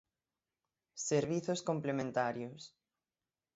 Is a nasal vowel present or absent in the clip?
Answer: present